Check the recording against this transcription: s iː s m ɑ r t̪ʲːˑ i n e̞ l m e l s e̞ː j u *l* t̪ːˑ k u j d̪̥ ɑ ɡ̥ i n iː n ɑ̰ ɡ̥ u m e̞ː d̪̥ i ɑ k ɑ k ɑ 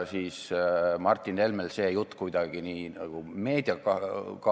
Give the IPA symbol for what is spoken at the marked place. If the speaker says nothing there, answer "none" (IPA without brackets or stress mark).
none